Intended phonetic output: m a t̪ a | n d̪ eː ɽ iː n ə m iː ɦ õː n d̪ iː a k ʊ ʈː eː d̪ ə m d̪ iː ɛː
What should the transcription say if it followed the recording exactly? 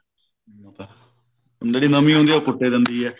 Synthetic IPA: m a t̪ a | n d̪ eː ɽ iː n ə m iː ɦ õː n d̪ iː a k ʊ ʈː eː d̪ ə n d̪ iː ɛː